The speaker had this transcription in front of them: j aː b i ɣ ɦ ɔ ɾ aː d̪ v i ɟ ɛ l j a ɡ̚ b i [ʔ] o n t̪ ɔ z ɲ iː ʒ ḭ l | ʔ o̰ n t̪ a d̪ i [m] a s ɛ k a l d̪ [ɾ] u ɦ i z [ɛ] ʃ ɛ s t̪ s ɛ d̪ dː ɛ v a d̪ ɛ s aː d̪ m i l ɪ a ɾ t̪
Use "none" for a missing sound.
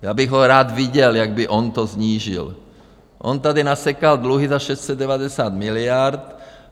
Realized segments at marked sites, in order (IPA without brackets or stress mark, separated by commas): ʔ, n, l, a